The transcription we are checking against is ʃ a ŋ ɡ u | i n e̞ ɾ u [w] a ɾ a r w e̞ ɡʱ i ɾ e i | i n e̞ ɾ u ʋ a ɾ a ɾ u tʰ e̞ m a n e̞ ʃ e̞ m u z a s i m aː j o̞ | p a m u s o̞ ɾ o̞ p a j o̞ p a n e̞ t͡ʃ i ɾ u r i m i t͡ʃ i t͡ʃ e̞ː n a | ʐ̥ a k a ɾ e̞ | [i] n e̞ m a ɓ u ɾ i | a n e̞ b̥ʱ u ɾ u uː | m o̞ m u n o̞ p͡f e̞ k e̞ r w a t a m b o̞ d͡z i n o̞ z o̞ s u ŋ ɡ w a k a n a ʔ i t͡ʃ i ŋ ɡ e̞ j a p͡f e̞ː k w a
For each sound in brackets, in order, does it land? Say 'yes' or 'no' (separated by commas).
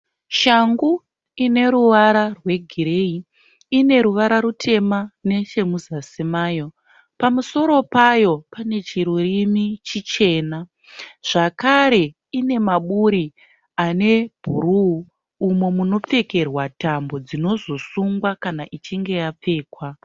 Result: no, yes